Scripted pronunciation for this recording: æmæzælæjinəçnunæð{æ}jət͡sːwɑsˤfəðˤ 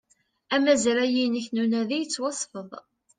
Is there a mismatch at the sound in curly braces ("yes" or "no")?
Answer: yes